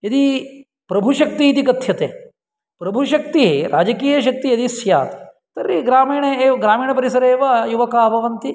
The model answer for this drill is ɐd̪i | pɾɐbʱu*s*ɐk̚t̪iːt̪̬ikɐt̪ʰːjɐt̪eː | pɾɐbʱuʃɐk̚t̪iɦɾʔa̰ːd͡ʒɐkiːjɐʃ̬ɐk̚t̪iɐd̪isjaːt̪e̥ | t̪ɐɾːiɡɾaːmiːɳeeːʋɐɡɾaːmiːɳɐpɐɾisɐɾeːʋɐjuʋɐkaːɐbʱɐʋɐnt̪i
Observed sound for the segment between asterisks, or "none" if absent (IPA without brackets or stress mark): ʃ